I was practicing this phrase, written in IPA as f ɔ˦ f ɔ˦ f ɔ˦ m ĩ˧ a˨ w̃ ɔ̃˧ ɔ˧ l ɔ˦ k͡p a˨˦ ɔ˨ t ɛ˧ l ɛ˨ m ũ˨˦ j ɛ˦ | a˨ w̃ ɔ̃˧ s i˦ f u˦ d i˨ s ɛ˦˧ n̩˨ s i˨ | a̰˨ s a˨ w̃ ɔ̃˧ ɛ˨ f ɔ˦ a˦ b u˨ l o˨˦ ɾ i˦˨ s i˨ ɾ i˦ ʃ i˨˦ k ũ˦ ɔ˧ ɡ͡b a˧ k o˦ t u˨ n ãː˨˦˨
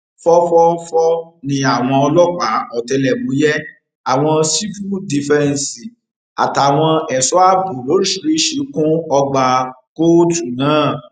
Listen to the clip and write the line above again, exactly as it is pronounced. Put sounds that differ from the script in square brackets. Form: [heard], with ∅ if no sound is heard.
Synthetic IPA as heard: f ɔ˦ f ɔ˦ f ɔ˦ [n] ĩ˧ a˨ w̃ ɔ̃˧ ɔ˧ l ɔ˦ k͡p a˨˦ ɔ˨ t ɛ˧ l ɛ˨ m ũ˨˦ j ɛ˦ | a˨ w̃ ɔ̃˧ s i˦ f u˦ d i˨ [f] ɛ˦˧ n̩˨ s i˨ | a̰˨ [t] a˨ w̃ ɔ̃˧ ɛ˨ [s] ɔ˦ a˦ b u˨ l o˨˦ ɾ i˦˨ [ʃ] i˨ ɾ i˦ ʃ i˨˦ k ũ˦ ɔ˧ ɡ͡b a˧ k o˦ t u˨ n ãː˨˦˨

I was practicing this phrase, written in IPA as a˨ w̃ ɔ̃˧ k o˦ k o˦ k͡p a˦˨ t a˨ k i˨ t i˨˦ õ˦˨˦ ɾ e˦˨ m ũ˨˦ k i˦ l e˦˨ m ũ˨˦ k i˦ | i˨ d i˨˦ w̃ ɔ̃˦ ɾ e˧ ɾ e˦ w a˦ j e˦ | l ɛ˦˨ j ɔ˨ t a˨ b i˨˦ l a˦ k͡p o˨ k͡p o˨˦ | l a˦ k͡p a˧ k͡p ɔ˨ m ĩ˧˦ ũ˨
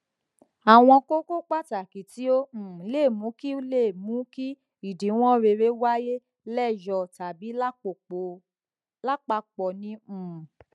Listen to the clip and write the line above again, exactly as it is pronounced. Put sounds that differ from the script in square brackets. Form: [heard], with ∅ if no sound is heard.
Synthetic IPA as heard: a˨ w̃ ɔ̃˧ k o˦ k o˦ k͡p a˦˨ t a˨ k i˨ t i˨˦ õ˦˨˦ [l] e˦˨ m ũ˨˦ k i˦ l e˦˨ m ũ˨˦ k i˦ | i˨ d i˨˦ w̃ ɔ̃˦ ɾ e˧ ɾ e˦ w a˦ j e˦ | l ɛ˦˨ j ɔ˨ t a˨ b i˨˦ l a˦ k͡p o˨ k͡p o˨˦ | l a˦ k͡p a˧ k͡p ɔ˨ [n] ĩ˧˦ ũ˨

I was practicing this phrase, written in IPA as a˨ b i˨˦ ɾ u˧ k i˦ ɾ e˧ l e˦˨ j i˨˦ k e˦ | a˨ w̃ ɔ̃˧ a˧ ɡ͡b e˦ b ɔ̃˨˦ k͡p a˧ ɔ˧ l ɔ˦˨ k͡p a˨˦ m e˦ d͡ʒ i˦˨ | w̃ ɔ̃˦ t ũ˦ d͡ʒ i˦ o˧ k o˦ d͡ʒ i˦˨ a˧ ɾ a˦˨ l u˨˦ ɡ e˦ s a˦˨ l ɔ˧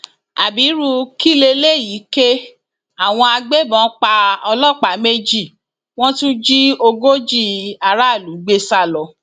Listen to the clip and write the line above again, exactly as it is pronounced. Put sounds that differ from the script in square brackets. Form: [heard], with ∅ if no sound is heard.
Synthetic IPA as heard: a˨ b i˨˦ ɾ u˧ k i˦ [l] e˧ l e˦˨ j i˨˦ k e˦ | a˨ w̃ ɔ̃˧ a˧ ɡ͡b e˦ b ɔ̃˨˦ k͡p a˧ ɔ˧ l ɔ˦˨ k͡p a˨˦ m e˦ d͡ʒ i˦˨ | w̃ ɔ̃˦ t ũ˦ d͡ʒ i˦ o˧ [ɡ] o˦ d͡ʒ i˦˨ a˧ ɾ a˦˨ l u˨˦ [ɡ͡b] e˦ s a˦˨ l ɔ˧

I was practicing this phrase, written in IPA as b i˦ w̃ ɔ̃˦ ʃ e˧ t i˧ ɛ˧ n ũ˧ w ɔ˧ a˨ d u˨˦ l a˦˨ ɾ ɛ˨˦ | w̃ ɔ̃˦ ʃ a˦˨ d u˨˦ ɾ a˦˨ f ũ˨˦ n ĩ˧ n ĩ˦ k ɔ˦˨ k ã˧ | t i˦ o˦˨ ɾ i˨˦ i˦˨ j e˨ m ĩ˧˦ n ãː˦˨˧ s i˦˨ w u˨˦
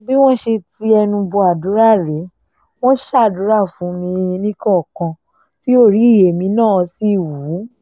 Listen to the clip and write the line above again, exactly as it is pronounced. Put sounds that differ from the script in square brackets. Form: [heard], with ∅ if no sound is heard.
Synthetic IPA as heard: b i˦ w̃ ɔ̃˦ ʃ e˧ t i˧ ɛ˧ n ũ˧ [b] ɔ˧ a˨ d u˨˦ [ɾ] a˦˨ ɾ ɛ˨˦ | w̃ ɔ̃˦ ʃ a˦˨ d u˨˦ ɾ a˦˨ f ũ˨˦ n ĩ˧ n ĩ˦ k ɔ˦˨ k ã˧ | t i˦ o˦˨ ɾ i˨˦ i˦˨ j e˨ m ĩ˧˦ n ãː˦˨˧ s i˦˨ w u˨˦

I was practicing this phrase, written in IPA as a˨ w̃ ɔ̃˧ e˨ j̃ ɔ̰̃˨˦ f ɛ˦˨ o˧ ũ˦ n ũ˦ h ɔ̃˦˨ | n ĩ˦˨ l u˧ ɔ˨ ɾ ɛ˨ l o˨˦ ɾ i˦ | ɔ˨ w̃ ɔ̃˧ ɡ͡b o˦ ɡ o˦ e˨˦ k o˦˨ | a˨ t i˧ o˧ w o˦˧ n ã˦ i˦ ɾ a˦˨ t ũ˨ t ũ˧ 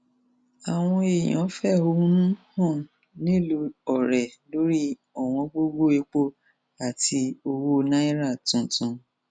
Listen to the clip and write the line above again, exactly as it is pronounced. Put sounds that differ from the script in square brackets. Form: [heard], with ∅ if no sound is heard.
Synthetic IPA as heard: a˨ w̃ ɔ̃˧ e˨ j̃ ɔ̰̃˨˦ f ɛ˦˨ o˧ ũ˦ n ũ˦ h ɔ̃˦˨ | n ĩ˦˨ l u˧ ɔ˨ ɾ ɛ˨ l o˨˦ ɾ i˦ | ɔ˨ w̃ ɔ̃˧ ɡ͡b o˦ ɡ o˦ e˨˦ [k͡p] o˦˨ | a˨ t i˧ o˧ w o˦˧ n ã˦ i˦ ɾ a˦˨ t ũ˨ t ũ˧

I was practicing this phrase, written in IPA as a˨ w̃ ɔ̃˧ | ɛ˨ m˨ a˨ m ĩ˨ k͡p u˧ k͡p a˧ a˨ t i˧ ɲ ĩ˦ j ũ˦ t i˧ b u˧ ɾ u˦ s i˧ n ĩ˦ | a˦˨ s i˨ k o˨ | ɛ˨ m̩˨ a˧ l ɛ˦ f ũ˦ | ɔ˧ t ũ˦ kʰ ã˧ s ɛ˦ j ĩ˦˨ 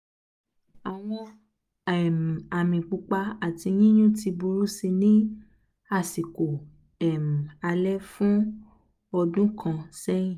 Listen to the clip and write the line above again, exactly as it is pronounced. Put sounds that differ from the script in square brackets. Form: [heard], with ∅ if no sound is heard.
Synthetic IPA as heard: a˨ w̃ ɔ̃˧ | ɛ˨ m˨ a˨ m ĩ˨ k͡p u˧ k͡p a˧ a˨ t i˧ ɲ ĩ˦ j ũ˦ t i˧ b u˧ ɾ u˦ s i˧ n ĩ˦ | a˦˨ s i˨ k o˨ | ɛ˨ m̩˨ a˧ l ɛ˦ f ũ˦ | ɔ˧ [d] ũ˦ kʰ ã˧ s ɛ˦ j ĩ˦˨

